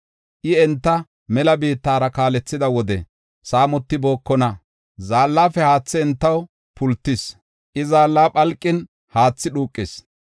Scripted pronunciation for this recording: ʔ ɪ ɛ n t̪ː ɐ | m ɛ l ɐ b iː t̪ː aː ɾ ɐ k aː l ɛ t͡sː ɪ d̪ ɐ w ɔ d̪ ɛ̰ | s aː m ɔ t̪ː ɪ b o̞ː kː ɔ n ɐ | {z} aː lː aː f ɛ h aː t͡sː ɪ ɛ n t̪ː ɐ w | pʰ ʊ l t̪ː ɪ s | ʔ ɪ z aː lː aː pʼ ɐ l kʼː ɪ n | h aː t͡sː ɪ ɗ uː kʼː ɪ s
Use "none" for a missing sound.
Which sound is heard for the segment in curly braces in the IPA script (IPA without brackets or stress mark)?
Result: z